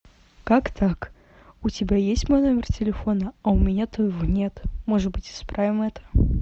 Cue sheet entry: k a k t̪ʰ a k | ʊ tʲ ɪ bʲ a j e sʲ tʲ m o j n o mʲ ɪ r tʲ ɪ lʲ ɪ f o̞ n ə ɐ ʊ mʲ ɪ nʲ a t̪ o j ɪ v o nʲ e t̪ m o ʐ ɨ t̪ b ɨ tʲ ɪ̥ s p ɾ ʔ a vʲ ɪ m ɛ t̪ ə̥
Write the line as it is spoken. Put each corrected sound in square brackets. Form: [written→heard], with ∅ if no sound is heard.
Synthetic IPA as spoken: k a k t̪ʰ a k | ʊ tʲ ɪ bʲ a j e sʲ tʲ m o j n o mʲ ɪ r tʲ ɪ lʲ ɪ f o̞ n ə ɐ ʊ mʲ ɪ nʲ a t̪ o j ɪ v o nʲ e t̪ m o ʐ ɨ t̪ b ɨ tʲ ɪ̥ s p ɾ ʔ a vʲ ɪ m ɛ t̪ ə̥